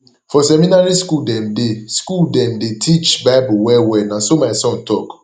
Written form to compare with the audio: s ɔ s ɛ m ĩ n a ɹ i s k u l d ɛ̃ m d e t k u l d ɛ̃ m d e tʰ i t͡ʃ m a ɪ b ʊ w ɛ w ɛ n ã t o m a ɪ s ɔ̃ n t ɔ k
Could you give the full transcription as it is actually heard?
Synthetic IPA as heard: f ɔ s ɛ m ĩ n a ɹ i s k u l d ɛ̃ m d e s k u l d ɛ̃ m d e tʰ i t͡ʃ b a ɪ b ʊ w ɛ w ɛ n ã s o m a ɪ s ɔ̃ n t ɔ k